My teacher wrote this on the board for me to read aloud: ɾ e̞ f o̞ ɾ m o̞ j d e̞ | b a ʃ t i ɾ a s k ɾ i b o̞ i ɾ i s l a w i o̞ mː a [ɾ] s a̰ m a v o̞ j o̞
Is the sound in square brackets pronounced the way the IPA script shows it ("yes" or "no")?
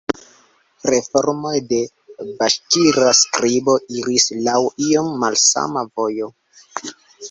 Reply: no